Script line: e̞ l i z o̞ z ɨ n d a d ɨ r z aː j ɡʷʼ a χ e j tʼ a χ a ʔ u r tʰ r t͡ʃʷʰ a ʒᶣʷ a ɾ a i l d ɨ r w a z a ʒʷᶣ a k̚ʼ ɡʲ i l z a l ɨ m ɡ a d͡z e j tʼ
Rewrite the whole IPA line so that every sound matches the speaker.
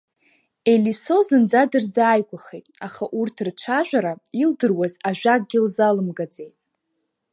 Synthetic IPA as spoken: e̞ l i s o̞ z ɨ n d͡z a d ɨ r z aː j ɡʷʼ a χ e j tʼ a χ a ʔ u r tʰ r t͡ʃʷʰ a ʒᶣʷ a ɾ a i l d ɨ r w a z a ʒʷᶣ a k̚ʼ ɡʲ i l z a l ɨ m ɡ a d͡z e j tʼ